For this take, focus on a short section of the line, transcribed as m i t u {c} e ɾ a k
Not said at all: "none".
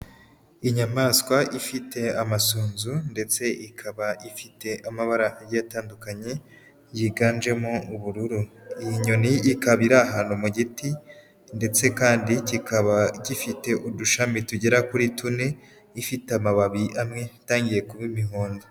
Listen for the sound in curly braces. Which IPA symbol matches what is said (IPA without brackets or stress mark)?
ɟ